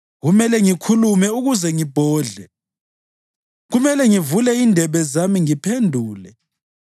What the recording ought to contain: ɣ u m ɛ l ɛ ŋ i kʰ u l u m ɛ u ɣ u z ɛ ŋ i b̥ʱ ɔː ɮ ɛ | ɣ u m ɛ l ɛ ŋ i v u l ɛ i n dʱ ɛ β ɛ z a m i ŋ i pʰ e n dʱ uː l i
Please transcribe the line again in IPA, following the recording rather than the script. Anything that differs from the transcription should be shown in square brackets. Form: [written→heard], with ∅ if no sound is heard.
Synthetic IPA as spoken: ɣ u m ɛ l ɛ ŋ i kʰ u l u m ɛ u ɣ u z ɛ ŋ i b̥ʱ ɔː ɮ ɛ | ɣ u m ɛ l ɛ ŋ i v u l ɛ i n dʱ ɛ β ɛ z a m i ŋ i pʰ e n dʱ uː l [i→ɛ]

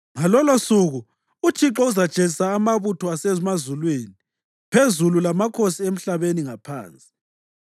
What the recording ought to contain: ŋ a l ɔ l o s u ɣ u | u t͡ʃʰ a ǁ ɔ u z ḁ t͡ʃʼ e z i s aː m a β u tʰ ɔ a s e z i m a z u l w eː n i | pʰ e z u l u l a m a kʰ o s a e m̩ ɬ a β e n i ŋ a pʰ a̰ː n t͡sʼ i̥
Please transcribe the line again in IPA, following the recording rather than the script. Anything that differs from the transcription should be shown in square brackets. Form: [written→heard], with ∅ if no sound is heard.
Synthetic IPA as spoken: ŋ a l ɔ l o s u ɣ u | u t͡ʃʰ [a→i] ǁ ɔ u z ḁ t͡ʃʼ e z i s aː m a β u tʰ ɔ a s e z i m a z u l w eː n i | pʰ e z u l u l a m a kʰ o s [a→i] e m̩ ɬ a β e n i ŋ a pʰ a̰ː n t͡sʼ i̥

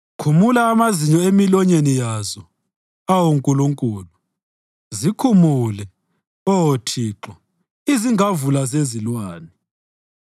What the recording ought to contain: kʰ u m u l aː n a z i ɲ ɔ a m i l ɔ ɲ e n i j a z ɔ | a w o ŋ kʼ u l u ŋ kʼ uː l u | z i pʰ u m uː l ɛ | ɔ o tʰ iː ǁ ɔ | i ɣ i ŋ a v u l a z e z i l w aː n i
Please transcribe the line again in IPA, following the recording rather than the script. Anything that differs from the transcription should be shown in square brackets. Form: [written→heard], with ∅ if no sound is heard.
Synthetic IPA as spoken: kʰ u m u l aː [n→m] a z i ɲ ɔ [a→e] m i l ɔ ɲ e n i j a z ɔ | a w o ŋ kʼ u l u ŋ kʼ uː l u | z i [pʰ→kʰ] u m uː l ɛ | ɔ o tʰ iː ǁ ɔ | i [ɣ→z] i ŋ a v u l a z e z i l w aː n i

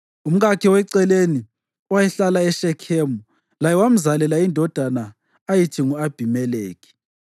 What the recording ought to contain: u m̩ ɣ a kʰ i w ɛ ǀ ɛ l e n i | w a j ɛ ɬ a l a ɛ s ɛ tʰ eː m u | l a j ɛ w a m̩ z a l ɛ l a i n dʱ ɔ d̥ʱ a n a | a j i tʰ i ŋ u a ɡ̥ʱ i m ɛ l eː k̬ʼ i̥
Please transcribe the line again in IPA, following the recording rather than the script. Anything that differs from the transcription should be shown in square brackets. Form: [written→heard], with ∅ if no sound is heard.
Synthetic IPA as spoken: u m̩ ɣ a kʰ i w ɛ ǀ ɛ l e n i | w a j ɛ ɬ a l a ɛ [s→ʃ] ɛ [tʰ→kʰ] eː m u | l a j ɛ w a m̩ z a l ɛ l a i n dʱ ɔ d̥ʱ a n a | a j i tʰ i ŋ u a [ɡ̥ʱ→b̥ʱ] i m ɛ l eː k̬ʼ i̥

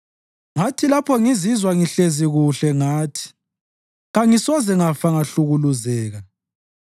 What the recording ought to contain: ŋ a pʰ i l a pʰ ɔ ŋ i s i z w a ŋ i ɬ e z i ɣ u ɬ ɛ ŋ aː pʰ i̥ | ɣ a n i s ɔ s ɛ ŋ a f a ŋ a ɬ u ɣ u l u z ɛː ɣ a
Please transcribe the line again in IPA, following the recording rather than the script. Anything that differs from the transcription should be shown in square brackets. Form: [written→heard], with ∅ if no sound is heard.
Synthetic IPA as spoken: ŋ a [pʰ→tʰ] i l a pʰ ɔ ŋ i [s→z] i z w a ŋ i ɬ e z i ɣ u ɬ ɛ ŋ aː [pʰ→tʰ] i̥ | ɣ a [n→ŋ] i s ɔ [s→z] ɛ ŋ a f a ŋ a ɬ u ɣ u l u z ɛː ɣ a

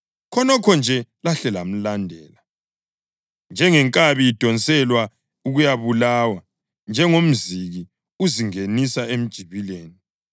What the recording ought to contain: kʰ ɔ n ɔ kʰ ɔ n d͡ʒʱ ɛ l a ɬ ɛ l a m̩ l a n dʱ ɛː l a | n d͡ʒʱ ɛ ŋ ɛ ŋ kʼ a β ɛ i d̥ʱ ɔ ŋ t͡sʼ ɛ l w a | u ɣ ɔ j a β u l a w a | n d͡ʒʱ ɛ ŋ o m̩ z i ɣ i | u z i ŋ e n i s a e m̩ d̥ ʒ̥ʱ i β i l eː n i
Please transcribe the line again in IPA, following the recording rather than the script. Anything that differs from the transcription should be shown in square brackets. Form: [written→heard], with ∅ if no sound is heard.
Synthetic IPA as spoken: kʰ ɔ n ɔ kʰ ɔ n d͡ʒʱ ɛ l a ɬ ɛ l a m̩ l a n dʱ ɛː l a | n d͡ʒʱ ɛ ŋ ɛ ŋ kʼ a β [ɛ→i] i d̥ʱ ɔ [ŋ→n] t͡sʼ ɛ l w a | u ɣ [ɔ→u] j a β u l a w a | n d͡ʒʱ ɛ ŋ o m̩ z i ɣ i | u z i ŋ e n i s a e m̩ d̥ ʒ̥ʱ i β i l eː n i

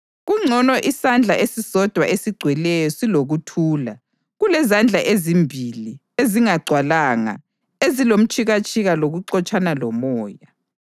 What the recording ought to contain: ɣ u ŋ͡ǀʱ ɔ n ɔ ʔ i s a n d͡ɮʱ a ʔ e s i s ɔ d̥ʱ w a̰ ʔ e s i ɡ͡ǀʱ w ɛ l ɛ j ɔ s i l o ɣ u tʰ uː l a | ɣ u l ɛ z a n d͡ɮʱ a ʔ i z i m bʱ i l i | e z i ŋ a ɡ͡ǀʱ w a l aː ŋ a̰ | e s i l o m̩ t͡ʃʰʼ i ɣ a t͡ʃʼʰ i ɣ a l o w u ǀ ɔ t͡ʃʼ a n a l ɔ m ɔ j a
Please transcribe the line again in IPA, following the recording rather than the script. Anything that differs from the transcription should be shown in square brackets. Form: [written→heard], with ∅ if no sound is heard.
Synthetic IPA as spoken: ɣ u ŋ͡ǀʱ ɔ n ɔ ʔ i s a n d͡ɮʱ a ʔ e s i s ɔ d̥ʱ w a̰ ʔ e s i ɡ͡ǀʱ w ɛ l ɛ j ɔ s i l o ɣ u tʰ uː l a | ɣ u l ɛ z a n d͡ɮʱ a ʔ [i→e] z i m bʱ i l i | e z i ŋ a ɡ͡ǀʱ w a l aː ŋ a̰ | e [s→z] i l o m̩ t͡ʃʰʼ i ɣ a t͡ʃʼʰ i ɣ a l o [w→ɣ] u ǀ ɔ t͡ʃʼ a n a l ɔ m [ɔ→ɔː] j a

